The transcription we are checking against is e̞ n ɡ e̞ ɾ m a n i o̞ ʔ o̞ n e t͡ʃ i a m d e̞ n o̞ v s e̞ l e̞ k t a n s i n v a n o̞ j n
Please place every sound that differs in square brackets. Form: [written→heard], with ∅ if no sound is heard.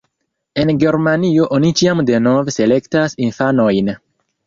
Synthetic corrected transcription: e̞ n ɡ e̞ ɾ m a n i o̞ ʔ o̞ n [e→i] t͡ʃ i a m d e̞ n o̞ v s e̞ l e̞ k t a [n→∅] s i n [v→f] a n o̞ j n